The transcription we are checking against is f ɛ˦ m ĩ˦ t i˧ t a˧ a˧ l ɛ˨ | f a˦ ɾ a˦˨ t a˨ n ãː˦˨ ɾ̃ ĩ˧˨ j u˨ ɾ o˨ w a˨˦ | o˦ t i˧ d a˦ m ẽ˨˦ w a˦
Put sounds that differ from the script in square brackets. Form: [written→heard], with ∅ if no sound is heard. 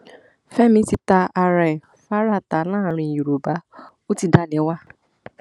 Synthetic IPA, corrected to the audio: f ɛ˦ m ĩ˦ t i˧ t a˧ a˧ [l→ɾ] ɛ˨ | f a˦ ɾ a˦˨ t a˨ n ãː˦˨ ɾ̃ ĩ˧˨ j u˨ ɾ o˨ [w→b] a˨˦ | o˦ t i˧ d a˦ [m→n] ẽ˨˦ w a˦